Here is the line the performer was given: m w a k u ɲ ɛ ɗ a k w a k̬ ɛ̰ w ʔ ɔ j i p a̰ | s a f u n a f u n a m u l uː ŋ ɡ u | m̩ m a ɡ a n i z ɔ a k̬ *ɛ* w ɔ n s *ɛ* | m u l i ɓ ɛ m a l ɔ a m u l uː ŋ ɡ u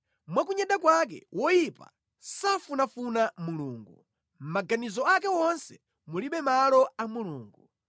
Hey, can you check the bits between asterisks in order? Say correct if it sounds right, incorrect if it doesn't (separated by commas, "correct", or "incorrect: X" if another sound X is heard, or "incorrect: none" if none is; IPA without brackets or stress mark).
correct, correct